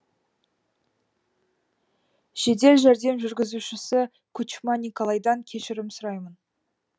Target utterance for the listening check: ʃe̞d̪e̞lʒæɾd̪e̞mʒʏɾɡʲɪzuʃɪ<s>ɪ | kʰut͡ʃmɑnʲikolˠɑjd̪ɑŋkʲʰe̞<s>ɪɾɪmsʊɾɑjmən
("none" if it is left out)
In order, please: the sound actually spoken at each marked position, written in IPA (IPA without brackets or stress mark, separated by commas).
s, ʃ